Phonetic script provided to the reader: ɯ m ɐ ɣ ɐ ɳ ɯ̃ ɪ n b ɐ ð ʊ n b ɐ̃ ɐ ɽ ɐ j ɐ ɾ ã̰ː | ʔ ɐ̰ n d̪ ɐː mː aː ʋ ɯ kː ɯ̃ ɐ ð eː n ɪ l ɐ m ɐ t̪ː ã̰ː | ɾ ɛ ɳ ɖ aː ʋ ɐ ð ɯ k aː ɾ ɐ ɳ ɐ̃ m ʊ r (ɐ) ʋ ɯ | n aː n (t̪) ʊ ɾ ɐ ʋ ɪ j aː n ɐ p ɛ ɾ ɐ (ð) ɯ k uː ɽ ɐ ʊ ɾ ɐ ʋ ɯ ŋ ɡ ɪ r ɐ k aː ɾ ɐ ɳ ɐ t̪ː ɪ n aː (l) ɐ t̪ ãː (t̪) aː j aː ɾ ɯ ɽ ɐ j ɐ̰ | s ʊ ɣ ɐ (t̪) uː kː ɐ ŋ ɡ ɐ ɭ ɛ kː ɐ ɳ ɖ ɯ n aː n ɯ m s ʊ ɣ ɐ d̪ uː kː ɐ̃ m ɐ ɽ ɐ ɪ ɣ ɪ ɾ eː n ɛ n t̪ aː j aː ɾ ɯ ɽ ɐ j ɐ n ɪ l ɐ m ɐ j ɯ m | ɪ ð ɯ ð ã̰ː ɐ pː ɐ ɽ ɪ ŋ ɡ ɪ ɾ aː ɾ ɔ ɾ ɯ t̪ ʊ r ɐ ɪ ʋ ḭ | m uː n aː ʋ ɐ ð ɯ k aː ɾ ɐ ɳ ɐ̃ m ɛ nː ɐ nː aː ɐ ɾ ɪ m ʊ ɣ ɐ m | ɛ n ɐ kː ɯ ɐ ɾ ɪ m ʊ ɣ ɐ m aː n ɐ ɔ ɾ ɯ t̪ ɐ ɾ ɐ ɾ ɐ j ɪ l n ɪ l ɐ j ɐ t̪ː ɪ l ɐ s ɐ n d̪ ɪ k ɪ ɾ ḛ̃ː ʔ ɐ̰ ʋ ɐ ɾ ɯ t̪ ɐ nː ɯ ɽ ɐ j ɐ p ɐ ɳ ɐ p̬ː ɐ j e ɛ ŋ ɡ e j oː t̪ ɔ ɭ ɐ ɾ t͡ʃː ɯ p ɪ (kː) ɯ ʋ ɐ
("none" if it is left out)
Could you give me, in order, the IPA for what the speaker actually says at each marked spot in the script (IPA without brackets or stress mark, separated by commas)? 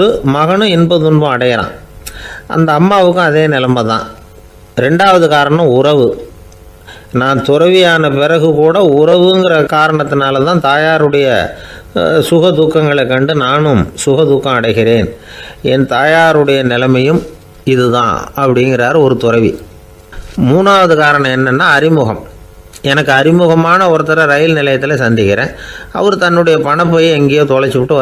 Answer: ɐ, t̪, ɣ, l, t̪, d̪, ʈː